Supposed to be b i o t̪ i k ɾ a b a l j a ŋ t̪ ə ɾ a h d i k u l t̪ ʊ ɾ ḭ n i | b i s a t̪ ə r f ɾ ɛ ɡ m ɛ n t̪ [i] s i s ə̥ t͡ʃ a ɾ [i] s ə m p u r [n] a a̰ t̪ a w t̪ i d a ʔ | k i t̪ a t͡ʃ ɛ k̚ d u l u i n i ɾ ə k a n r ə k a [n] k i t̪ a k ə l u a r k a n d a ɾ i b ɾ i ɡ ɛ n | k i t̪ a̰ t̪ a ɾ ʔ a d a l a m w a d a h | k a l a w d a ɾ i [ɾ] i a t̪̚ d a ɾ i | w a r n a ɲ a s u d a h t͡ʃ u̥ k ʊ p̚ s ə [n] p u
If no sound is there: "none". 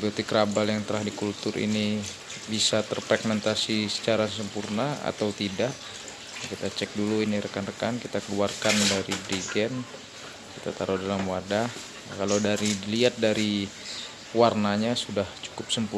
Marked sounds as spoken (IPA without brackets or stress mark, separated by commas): a, a, n, n, l, m